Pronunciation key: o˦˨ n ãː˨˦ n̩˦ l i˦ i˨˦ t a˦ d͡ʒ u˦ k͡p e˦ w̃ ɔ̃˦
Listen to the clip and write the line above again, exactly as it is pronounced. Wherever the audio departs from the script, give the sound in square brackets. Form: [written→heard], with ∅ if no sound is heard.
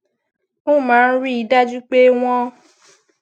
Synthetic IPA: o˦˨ [n→m] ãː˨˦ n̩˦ [l→ɾ] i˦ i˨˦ [t→d] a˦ d͡ʒ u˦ k͡p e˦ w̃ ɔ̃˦

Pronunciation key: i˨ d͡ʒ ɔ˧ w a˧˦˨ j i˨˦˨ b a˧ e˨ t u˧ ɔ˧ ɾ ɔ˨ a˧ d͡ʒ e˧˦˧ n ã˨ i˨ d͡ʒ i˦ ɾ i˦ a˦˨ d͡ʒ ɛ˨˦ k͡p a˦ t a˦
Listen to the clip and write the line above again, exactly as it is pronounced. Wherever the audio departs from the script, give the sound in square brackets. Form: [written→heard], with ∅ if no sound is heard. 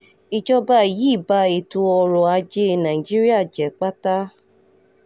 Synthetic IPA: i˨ d͡ʒ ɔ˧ [w→b] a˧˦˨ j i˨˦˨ b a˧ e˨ t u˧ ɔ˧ ɾ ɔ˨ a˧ d͡ʒ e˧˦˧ n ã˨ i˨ d͡ʒ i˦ ɾ i˦ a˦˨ d͡ʒ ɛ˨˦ k͡p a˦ t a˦

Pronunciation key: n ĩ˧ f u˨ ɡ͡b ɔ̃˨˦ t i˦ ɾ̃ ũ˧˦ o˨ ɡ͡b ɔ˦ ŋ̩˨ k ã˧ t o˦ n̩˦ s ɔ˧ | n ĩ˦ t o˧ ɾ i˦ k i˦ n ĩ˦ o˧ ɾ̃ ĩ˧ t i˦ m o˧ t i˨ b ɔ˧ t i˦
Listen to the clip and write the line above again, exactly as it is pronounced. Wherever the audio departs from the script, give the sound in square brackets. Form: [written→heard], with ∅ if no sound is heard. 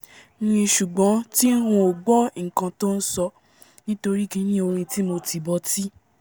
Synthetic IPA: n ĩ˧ [f→ʃ] u˨ ɡ͡b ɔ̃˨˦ t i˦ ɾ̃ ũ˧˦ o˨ ɡ͡b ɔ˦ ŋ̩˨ k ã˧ t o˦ n̩˦ s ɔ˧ | n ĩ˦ t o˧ ɾ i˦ k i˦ n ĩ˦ o˧ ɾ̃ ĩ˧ t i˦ m o˧ t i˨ b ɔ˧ t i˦

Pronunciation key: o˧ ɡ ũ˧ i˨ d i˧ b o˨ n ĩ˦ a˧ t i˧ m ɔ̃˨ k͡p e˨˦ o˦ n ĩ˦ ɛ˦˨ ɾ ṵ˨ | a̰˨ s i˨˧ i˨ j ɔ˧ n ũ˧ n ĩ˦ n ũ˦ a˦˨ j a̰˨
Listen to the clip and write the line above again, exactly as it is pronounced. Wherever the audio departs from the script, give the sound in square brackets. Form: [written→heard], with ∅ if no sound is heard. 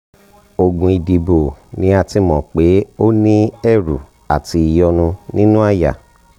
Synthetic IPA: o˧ ɡ ũ˧ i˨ d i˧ b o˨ n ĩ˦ a˧ t i˧ m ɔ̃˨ k͡p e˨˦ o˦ n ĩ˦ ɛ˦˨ ɾ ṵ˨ | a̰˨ [s→t] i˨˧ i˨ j ɔ˧ n ũ˧ n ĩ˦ n ũ˦ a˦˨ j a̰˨

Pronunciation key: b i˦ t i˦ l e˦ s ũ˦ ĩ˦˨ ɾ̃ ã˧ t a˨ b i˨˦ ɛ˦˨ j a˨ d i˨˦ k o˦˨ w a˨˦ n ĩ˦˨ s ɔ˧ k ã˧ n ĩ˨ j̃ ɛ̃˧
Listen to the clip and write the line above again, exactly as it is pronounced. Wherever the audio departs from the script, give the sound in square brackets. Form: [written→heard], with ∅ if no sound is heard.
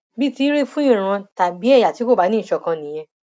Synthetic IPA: b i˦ t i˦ [l→ɾ] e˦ [s→f] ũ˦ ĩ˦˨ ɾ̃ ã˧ t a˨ b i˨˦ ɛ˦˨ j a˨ [d→t] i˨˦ k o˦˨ [w→b] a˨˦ n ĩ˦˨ [s→ʃ] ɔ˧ k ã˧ n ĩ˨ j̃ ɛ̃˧

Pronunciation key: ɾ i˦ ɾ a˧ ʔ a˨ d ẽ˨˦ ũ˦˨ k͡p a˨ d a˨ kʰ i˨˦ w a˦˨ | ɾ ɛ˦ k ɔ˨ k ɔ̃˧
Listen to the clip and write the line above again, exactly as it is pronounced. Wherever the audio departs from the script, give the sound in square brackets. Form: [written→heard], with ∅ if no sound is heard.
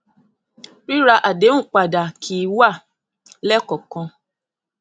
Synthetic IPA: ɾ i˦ ɾ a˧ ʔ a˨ d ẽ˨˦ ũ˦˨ k͡p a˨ d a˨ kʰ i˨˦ w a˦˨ | [ɾ→l] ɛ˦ k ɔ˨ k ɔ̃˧

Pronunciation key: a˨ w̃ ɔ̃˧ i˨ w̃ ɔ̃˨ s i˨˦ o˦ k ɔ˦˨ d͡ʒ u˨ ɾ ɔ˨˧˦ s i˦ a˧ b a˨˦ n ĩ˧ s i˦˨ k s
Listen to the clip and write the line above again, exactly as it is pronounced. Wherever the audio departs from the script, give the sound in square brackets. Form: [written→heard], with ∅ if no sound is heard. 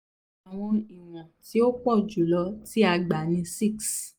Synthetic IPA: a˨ w̃ ɔ̃˧ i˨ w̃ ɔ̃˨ [s→t] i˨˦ o˦ [k→k͡p] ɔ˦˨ d͡ʒ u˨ [ɾ→l] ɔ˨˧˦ [s→t] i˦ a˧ [b→ɡ͡b] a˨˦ n ĩ˧ s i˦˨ k s

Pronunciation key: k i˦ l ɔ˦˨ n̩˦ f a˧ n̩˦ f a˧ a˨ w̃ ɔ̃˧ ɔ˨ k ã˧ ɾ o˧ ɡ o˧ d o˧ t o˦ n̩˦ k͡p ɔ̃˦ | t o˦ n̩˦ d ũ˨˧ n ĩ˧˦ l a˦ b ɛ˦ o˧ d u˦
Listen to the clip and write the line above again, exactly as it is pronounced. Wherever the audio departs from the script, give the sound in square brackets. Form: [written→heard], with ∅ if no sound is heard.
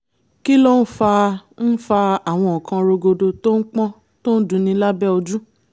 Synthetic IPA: k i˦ l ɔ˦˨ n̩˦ f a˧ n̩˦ f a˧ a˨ w̃ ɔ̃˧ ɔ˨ k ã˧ ɾ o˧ ɡ o˧ d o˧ t o˦ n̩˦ k͡p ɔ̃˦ | t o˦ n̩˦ d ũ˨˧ n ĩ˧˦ l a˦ b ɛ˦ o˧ [d→d͡ʒ] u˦

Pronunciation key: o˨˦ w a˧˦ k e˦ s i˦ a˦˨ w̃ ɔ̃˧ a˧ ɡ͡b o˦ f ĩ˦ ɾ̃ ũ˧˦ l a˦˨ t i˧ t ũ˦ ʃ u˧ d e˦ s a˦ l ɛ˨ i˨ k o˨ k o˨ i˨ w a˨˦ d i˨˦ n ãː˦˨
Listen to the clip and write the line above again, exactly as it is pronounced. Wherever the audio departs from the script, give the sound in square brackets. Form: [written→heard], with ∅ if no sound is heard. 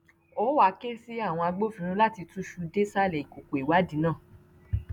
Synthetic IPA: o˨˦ w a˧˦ k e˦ s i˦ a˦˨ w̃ ɔ̃˧ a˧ ɡ͡b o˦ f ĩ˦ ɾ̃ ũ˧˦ l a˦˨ t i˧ t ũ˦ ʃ u˧ d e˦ s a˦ l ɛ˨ i˨ k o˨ k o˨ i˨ w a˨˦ d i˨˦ n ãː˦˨

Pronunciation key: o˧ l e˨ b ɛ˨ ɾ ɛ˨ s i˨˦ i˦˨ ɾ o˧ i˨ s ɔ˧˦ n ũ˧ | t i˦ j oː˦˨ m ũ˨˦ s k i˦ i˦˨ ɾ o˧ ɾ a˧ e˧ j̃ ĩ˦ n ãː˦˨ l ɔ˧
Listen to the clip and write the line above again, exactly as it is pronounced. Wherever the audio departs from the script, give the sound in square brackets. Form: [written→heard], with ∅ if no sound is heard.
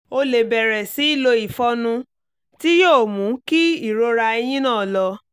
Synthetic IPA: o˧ l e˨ b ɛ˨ ɾ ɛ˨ s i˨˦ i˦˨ [ɾ→l] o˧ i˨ [s→f] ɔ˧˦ n ũ˧ | t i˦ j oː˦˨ m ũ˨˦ [s→∅] k i˦ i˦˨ ɾ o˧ ɾ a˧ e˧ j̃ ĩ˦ n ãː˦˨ l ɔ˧

